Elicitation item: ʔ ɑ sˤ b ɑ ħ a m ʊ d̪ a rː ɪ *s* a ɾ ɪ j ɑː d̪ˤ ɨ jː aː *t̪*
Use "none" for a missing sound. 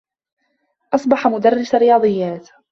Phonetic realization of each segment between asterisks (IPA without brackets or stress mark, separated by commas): s, t̪